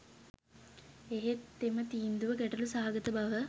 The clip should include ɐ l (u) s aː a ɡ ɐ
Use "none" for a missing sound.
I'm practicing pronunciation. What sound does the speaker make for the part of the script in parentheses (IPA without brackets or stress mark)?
u